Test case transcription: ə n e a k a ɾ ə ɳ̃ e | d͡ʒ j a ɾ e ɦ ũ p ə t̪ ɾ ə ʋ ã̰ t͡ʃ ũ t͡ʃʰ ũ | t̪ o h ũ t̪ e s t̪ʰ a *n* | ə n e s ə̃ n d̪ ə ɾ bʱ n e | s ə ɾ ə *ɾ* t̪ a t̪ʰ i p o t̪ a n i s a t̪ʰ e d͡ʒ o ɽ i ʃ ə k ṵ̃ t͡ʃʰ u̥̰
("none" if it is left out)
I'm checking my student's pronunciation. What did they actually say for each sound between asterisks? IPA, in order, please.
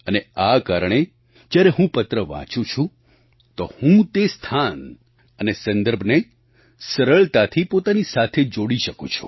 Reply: n, ɭ

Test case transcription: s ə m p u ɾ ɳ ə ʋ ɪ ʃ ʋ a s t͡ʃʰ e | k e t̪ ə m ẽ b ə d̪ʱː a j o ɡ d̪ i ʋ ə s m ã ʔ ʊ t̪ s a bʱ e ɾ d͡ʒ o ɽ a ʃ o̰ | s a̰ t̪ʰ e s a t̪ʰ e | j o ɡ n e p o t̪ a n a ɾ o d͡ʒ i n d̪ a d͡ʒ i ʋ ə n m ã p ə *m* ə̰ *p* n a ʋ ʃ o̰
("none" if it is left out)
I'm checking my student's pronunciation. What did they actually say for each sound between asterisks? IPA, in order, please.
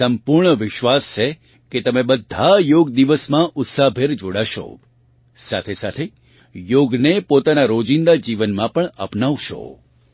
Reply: ɳ, p

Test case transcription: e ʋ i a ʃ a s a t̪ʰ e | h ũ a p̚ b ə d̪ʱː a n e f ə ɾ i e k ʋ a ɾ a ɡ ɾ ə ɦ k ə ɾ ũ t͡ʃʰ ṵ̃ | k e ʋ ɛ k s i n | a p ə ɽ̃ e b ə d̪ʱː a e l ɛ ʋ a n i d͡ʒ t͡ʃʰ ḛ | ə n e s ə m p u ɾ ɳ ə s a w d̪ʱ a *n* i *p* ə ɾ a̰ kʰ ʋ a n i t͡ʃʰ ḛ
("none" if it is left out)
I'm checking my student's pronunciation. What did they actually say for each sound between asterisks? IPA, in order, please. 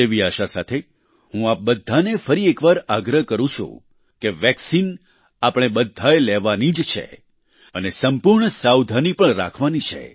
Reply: n, p

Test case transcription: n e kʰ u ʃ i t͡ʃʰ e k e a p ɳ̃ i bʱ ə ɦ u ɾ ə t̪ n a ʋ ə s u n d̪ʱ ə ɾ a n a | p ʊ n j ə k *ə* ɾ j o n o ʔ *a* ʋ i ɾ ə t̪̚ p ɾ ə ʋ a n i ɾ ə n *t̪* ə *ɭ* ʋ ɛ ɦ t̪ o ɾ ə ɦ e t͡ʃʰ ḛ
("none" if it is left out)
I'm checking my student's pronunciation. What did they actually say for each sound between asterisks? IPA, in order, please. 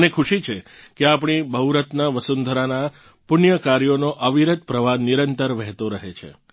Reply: a, ə, t̪, ɾ

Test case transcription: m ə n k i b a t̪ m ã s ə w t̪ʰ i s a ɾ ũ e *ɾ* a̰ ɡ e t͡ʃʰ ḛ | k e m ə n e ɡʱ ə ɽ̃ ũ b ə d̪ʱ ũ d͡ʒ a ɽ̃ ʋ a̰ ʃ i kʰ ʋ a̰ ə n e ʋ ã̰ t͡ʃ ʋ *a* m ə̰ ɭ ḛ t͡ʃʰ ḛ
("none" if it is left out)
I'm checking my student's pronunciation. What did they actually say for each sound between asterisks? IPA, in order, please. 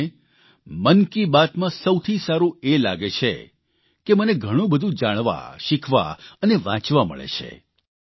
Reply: l, a

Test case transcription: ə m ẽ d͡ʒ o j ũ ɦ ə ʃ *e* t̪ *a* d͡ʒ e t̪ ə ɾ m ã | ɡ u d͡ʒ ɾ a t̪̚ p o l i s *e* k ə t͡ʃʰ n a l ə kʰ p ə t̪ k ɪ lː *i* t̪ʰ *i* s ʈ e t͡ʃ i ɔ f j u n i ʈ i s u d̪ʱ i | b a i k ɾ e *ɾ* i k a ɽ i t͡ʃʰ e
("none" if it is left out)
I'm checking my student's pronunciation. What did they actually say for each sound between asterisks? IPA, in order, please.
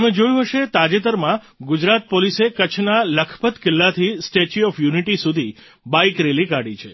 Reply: e, a, e, a, i, l

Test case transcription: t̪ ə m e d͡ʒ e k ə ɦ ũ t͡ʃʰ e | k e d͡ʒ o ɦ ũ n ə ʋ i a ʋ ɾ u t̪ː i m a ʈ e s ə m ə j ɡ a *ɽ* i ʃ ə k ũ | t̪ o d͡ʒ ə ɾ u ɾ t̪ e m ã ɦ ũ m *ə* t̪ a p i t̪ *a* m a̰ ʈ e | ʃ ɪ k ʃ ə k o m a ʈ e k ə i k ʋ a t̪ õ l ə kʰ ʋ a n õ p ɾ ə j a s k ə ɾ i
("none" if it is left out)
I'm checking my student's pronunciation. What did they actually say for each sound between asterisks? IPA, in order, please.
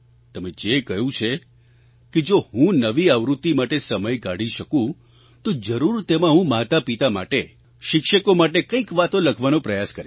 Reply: ɽ, a, a

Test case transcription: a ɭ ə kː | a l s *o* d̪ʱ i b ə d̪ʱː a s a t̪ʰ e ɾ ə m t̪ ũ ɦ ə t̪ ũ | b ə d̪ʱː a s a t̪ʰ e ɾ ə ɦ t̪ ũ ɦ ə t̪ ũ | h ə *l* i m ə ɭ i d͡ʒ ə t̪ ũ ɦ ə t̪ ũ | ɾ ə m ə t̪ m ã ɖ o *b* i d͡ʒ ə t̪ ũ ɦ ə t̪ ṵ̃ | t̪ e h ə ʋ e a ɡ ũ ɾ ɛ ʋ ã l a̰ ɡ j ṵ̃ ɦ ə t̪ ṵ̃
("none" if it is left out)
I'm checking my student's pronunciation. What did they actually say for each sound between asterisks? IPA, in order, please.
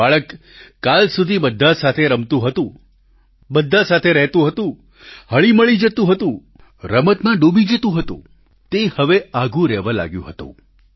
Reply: u, ɭ, b

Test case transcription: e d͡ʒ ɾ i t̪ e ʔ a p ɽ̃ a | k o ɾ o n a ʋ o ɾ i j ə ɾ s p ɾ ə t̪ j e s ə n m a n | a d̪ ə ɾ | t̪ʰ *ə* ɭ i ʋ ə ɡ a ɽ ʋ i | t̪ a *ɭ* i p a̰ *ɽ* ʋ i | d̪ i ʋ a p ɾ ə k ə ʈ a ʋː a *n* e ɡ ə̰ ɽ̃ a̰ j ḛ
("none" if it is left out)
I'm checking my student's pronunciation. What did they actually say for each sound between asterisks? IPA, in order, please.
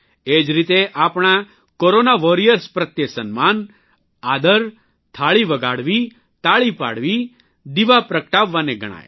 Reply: a, ɭ, ɽ, n

